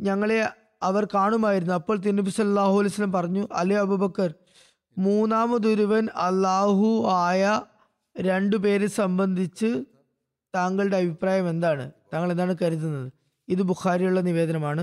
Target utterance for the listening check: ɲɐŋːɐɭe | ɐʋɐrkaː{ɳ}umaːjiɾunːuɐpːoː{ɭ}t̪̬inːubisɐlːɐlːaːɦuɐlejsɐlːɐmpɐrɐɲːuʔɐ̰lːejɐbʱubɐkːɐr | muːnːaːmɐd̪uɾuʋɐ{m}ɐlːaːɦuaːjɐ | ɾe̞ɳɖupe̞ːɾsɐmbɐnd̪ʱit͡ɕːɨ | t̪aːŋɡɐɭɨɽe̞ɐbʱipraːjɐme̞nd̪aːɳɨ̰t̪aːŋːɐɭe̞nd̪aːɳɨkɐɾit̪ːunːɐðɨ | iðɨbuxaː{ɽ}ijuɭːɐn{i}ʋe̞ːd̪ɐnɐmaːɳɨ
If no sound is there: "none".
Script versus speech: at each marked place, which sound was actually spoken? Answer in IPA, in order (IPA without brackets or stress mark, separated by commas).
ɳ, ɭ, n, ɾ, i